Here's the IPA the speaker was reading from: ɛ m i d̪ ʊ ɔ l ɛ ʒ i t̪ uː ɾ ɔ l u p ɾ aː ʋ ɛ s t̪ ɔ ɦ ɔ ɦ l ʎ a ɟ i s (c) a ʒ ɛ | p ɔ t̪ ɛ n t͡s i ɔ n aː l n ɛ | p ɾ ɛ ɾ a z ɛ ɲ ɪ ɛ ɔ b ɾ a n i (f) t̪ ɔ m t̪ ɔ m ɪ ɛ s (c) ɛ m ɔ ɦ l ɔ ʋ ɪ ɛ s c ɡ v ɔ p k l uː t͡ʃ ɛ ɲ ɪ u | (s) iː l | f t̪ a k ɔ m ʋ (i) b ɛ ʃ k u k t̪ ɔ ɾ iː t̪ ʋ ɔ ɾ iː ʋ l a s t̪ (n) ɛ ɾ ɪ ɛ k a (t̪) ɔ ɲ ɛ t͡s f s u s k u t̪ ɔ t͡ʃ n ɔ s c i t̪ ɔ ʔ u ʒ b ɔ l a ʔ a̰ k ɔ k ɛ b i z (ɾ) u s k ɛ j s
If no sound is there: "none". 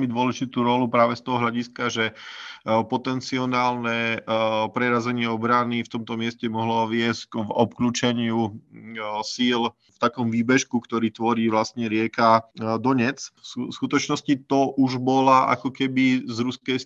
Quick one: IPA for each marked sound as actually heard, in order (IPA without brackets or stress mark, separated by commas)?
k, f, c, s, iː, ɲ, d̪, ɾ